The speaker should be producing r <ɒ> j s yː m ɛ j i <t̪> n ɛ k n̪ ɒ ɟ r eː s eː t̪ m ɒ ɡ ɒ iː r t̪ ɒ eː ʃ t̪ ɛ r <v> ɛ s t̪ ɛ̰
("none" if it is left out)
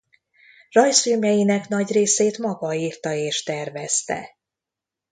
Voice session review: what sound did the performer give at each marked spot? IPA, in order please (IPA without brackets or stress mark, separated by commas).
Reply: ɒ, none, v